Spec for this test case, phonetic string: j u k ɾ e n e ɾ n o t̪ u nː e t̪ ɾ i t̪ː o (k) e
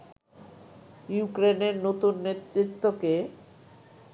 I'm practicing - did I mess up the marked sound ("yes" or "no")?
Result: no